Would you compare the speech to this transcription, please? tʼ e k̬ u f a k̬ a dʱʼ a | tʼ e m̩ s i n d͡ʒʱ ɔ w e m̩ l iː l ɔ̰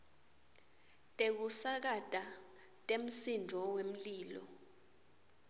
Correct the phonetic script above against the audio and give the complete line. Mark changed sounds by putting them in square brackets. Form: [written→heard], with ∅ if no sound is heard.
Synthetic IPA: tʼ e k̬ u [f→s] a k̬ a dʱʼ a | tʼ e m̩ s i n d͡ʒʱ ɔ w e m̩ l iː l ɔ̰